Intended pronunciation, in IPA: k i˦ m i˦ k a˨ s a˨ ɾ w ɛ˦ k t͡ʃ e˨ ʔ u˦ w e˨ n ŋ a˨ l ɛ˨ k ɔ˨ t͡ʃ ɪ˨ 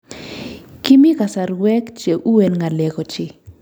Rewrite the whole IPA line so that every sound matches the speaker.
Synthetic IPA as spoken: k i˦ m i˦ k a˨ s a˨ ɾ w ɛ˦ k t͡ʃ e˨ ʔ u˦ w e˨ n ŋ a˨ l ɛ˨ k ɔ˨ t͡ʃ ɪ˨